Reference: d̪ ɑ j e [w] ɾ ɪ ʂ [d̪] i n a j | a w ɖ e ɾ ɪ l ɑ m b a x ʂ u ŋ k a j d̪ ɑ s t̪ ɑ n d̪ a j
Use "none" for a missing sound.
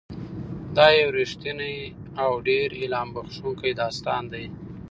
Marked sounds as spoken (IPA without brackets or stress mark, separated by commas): w, t̪